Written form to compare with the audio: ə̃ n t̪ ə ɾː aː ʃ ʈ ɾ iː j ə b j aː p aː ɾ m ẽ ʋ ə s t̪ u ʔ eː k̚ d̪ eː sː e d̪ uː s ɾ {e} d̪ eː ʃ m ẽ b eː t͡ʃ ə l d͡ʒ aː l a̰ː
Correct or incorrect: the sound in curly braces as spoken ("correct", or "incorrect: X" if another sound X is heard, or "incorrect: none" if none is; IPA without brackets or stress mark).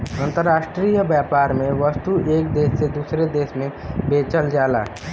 correct